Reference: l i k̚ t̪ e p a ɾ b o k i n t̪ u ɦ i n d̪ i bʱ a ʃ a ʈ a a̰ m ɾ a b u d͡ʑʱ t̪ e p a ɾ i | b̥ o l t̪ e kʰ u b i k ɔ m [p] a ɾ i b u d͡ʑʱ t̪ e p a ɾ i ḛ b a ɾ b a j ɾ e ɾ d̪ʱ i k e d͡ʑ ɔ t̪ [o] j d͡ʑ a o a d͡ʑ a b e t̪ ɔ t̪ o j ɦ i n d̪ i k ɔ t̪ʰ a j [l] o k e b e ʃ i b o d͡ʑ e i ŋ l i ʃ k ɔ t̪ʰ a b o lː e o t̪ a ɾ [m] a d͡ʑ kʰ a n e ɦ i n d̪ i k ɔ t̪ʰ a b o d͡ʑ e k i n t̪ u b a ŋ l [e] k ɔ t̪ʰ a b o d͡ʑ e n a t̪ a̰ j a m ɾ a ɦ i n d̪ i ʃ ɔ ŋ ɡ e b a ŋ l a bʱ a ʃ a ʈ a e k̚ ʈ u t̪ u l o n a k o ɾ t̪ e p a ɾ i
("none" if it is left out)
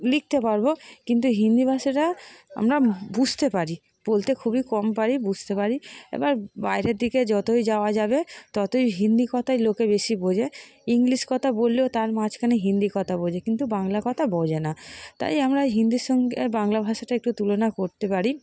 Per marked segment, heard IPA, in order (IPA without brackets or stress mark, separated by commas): p, o, l, m, a